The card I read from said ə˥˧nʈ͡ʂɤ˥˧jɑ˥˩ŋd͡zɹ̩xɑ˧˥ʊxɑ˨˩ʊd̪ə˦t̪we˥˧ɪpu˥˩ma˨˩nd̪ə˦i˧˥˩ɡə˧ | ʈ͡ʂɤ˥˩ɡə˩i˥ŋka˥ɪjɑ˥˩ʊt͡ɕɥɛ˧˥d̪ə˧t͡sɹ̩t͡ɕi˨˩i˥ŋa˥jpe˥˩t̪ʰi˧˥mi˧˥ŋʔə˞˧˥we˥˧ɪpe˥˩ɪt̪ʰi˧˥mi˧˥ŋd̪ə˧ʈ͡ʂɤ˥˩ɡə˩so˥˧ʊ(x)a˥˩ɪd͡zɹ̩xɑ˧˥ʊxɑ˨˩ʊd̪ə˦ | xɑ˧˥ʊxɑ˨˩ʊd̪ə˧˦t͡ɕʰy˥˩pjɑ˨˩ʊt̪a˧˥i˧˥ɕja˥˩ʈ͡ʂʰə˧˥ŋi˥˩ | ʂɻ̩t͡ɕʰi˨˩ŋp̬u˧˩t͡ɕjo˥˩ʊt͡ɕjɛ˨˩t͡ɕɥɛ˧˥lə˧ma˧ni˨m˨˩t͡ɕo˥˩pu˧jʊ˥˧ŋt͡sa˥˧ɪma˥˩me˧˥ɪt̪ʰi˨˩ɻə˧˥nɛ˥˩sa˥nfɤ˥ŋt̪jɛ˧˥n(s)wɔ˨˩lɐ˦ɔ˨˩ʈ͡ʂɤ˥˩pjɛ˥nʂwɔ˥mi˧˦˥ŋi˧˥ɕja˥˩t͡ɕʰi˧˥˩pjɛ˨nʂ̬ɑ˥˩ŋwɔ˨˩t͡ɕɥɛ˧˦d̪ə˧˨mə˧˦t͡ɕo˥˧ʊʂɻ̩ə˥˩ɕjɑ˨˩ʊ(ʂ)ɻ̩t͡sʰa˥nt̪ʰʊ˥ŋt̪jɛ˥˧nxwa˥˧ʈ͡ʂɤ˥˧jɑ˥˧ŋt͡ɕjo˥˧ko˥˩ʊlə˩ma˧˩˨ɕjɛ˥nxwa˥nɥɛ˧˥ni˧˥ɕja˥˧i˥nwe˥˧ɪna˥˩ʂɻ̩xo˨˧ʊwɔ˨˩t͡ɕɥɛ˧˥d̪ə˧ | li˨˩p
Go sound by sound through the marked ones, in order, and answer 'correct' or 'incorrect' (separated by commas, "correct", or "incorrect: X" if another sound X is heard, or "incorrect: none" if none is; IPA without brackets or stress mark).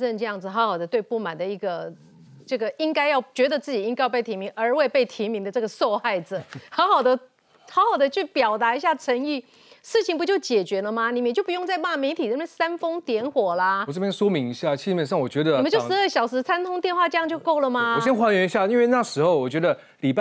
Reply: correct, incorrect: x, correct